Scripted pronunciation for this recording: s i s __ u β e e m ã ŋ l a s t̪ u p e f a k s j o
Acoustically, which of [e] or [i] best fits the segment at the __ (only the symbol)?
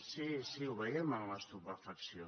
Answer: i